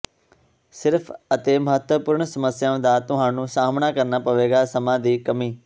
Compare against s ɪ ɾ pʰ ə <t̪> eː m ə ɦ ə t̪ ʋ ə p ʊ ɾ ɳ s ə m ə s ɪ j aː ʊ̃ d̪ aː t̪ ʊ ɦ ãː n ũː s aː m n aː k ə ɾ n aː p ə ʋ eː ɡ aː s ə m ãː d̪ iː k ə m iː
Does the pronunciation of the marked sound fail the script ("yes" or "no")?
no